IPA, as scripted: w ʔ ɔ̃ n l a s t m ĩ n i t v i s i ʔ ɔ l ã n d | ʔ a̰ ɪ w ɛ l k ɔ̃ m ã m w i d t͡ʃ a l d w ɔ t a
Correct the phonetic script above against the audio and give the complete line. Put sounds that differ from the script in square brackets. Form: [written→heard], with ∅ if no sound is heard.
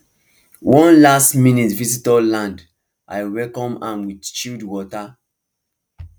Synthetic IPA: w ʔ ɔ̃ n l a s t m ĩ n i t v i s i [ʔ→t] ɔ l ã n d | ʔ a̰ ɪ w ɛ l k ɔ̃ m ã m w i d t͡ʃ [a→i] l d w ɔ t a